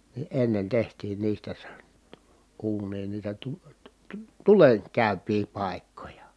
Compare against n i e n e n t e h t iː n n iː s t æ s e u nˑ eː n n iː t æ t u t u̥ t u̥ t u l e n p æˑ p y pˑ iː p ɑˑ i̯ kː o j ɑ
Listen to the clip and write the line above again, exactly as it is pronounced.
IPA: n i e nː e n t e h t iː n n iː s t æ s e uː nˑ iː n n iː t æ t u t u̥ t u̥ t u l e n k æˑ y pˑ iː p ɑˑ i̯ kː o j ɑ